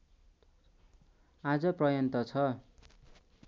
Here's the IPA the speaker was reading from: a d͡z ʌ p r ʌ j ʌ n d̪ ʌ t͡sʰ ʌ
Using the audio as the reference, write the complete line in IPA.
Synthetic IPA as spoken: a d͡z ʌ p r ʌ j ʌ n t̪ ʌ t͡sʰ ʌ